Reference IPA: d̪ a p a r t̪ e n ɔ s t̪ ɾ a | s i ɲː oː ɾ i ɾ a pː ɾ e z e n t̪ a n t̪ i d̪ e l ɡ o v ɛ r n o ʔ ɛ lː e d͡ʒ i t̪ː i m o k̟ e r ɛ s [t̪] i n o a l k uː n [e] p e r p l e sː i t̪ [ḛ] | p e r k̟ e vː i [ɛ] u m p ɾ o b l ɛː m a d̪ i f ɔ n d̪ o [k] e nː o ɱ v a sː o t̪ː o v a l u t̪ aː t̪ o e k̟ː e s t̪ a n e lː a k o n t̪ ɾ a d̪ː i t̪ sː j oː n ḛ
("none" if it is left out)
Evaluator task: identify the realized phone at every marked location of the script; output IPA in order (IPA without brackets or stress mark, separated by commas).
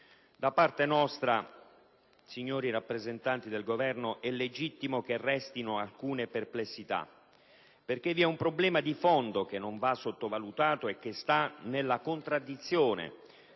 t̪, e, a̰, ɛ, k